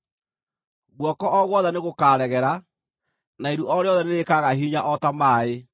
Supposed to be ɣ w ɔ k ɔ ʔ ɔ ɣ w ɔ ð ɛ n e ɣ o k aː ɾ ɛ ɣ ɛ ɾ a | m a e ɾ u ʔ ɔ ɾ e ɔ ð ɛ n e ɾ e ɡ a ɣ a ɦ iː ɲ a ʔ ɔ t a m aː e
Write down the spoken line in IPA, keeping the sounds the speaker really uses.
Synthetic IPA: ɣ w ɔ k ɔ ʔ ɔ ɣ w ɔ ð ɛ n e ɣ o k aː ɾ ɛ ɣ ɛ ɾ a | n a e ɾ u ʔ ɔ ɾ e ɔ ð ɛ n e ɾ e k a ɣ a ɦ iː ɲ a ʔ ɔ t a m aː e

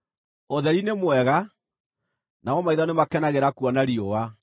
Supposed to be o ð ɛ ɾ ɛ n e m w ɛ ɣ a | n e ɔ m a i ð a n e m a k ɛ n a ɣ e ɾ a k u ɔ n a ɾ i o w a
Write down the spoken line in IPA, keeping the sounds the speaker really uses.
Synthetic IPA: o ð ɛ ɾ i n e m w ɛ ɣ a | n a ɔ m a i ð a n e m a k ɛ n a ɣ e ɾ a k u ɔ n a ɾ i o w a

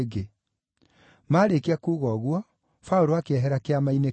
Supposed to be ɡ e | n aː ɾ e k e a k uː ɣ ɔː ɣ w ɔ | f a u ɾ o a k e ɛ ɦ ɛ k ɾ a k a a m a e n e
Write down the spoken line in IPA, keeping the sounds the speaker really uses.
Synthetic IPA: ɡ e | m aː ɾ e k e a k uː ɣ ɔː ɣ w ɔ | f a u ɾ o a k e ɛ ɦ ɛ ɾ a k e a m a i n e

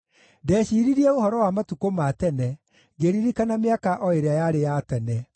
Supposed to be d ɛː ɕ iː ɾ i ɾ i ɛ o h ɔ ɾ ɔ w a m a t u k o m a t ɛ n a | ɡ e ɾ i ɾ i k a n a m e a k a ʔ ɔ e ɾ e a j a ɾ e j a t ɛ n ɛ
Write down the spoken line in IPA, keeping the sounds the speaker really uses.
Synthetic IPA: d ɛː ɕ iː ɾ i ɾ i ɛ o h ɔ ɾ ɔ w a m a t u k o m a t ɛ n ɛ | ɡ e ɾ i ɾ i k a n a m e a k a ʔ ɔ e ɾ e a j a ɾ e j a t ɛ n ɛ

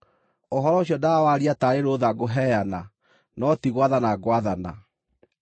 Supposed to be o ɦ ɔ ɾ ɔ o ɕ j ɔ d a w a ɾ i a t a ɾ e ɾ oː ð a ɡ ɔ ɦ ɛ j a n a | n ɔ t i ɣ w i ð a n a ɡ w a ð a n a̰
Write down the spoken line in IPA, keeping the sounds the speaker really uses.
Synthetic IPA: o ɦ ɔ ɾ ɔ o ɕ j ɔ d a w a ɾ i a t a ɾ e ɾ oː ð a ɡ o ɦ ɛ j a n a | n ɔ t i ɣ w a ð a n a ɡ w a ð a n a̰

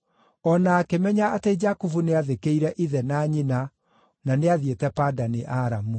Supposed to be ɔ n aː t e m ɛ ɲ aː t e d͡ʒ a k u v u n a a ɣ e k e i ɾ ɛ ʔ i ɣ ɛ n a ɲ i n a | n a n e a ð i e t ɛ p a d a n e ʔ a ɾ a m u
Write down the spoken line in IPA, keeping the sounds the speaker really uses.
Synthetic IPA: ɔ n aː k e m ɛ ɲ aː t e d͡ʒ a k u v u n e a ð e k e i ɾ ɛ ʔ i ð ɛ n a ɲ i n a | n a n e a ð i e t ɛ p a d a n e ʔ a ɾ a m u

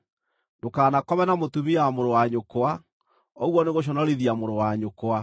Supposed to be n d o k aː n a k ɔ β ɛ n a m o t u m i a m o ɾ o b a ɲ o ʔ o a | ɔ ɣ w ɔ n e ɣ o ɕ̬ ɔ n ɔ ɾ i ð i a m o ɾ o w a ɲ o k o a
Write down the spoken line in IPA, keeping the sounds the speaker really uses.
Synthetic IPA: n d o k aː n a k ɔ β ɛ n a m o t u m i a m o ɾ o w a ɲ o k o a | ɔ ɣ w ɔ n e ɣ o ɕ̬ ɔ n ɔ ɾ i ð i a m o ɾ o w a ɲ o k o a

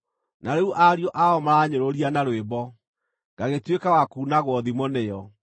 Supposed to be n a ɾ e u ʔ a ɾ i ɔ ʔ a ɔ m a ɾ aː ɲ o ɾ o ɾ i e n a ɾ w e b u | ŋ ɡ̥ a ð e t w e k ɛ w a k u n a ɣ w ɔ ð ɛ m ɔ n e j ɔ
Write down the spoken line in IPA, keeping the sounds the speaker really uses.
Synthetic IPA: n a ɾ e u ʔ a ɾ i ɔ ʔ a ɔ m a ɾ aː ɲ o ɾ o ɾ i a n a ɾ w e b ɔ | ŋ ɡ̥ a ɣ e t w e k a w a k u n a ɣ w ɔ ð i m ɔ n e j ɔ

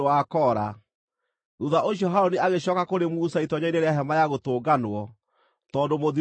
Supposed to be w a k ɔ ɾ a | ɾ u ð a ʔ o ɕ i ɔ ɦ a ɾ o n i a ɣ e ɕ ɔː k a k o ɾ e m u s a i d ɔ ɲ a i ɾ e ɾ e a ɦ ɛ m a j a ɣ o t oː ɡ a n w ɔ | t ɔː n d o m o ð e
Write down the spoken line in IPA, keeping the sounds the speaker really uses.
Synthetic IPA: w a k ɔ ɾ a | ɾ u ð a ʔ o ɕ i ɔ ɦ a ɾ o n i a ɣ e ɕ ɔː k a k o ɾ e m u s a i t ɔ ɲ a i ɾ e ɾ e a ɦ ɛ m a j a ɣ o t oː ɡ a n w ɔ | t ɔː n d o m o ð i

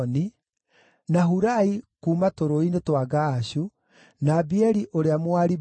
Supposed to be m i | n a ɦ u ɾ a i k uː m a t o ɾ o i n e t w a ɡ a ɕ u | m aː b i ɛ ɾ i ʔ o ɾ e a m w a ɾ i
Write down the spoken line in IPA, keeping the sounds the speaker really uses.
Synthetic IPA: n i | n a ɦ u ɾ a i k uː m a t o ɾ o i n e t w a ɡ a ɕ u | n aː b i ɛ ɾ i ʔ o ɾ e a m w a ɾ i

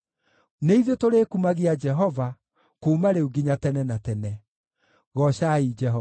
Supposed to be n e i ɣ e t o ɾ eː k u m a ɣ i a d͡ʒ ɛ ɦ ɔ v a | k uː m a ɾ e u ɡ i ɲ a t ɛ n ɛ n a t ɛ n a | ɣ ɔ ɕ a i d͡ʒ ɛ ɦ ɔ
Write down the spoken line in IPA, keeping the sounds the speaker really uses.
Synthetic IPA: n e i ð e t o ɾ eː k u m a ɣ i a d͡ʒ ɛ ɦ ɔ v a | k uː m a ɾ e u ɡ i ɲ a t ɛ n ɛ n a t ɛ n ɛ | ɣ ɔ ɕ a i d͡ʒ ɛ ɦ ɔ

